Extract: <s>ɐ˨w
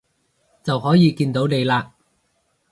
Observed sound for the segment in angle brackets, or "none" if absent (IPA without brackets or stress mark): t͡s